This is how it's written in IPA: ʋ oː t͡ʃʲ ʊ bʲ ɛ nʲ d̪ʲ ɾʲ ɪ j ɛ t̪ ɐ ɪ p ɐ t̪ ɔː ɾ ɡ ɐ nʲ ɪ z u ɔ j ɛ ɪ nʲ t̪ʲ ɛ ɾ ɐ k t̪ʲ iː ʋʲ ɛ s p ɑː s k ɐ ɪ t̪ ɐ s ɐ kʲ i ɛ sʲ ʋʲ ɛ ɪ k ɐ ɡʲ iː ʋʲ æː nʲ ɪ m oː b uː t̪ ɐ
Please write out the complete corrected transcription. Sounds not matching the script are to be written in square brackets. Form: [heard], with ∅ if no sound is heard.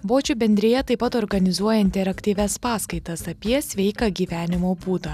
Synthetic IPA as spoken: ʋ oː t͡ʃʲ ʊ bʲ ɛ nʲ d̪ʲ ɾʲ ɪ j ɛ t̪ ɐ ɪ p ɐ t̪ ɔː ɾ ɡ ɐ nʲ ɪ z u ɔ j ɛ ɪ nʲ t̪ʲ ɛ ɾ ɐ k t̪ʲ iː ʋʲ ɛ s p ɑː s k ɐ ɪ t̪ ɐ s ɐ [pʲ] i ɛ sʲ ʋʲ ɛ ɪ k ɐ ɡʲ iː ʋʲ æː nʲ ɪ m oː b uː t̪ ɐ